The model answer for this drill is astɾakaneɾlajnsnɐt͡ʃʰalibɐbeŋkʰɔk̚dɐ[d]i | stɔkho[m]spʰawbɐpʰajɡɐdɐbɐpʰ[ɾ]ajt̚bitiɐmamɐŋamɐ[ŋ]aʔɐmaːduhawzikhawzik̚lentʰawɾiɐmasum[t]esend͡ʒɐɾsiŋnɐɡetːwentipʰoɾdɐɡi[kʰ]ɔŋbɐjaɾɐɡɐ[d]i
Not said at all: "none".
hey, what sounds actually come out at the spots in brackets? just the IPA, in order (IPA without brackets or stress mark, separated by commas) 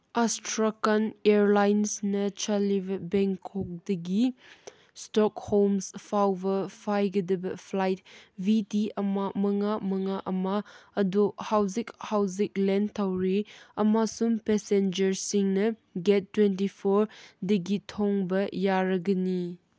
ɡ, m, l, ŋ, p, tʰ, n